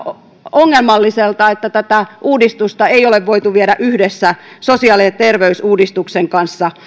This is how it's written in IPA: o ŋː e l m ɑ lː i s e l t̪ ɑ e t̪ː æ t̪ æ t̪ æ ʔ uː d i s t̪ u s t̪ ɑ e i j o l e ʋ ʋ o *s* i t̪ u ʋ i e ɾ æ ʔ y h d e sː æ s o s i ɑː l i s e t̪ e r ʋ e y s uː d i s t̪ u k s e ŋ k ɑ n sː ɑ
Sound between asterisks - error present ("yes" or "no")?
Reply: yes